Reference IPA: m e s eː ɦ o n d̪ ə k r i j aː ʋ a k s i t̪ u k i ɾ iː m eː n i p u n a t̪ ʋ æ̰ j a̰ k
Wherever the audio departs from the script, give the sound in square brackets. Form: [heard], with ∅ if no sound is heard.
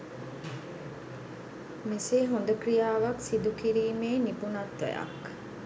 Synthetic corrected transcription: m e s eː ɦ o n d̪ ə k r i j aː ʋ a k s i [d̪] u k i ɾ iː m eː n i p u n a t̪ ʋ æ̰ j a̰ k